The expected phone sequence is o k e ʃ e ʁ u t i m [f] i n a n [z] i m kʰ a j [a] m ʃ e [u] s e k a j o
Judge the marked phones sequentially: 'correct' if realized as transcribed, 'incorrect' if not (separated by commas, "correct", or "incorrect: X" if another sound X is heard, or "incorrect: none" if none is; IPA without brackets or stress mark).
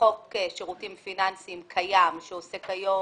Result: correct, incorrect: s, correct, incorrect: o